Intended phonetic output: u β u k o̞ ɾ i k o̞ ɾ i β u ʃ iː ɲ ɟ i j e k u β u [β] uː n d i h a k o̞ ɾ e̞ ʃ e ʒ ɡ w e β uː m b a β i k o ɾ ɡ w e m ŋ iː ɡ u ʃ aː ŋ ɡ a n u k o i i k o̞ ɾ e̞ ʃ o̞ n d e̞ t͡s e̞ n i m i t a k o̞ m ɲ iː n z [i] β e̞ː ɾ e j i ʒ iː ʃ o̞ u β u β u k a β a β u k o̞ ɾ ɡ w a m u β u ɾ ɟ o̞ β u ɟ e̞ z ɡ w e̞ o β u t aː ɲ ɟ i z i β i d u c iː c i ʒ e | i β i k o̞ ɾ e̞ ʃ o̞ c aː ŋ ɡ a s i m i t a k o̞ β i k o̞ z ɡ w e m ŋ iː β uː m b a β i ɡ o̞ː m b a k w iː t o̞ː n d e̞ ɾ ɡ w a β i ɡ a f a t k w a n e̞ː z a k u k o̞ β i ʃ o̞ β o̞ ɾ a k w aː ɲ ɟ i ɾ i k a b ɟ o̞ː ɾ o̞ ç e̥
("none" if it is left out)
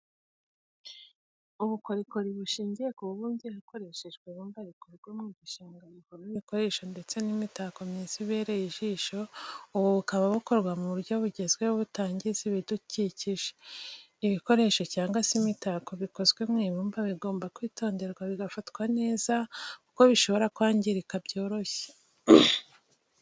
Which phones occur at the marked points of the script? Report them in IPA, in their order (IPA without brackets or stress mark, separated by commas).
β, i